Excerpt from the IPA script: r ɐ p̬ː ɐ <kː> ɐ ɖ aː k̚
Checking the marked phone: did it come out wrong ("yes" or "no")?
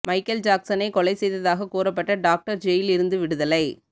yes